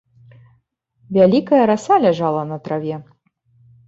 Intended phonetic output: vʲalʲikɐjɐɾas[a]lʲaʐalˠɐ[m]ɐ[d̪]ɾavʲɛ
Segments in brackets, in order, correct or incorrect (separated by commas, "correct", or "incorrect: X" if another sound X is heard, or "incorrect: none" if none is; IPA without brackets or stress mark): correct, incorrect: n, incorrect: t̪